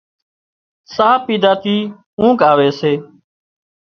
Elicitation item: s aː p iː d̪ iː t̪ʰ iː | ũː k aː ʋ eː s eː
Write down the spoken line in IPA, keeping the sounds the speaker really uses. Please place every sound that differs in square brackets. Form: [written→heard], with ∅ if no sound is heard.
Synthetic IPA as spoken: s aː p iː d̪ [iː→aː] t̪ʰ iː | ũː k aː ʋ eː s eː